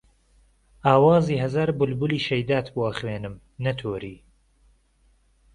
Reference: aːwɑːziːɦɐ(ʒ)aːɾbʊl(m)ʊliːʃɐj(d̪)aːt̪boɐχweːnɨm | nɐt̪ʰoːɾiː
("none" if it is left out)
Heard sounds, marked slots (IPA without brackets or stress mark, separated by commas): z, b, d̪